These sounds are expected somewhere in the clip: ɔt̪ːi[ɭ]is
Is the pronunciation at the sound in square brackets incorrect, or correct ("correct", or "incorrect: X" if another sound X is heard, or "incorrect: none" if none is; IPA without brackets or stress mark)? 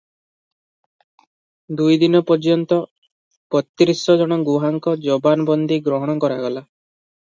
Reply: incorrect: ɾ